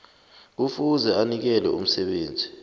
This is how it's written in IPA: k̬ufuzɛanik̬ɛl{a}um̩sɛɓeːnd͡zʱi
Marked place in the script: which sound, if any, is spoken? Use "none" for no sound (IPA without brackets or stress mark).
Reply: ɛ